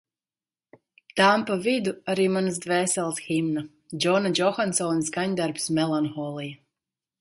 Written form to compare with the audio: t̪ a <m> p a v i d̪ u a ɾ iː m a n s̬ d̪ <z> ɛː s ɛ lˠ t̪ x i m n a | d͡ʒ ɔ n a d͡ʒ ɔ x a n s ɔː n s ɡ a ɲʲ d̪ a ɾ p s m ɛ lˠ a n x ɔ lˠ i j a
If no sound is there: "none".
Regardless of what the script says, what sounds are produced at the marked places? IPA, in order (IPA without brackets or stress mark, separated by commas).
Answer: m, v